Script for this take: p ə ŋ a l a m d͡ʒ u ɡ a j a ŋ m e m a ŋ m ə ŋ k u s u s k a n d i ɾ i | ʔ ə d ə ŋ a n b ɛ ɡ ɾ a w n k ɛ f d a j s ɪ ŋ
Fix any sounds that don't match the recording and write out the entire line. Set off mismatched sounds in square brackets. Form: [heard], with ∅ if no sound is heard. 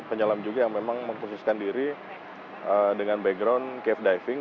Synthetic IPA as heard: p ə [ɲ] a l a m d͡ʒ u ɡ a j a ŋ m e m a ŋ m ə ŋ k u s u s k a n d i ɾ i | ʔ ə d ə ŋ a n b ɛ ɡ ɾ a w n k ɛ f d a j [f] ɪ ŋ